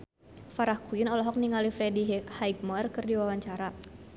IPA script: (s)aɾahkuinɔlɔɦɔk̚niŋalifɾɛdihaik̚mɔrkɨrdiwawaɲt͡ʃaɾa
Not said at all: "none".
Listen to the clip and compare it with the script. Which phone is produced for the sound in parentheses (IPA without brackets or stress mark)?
f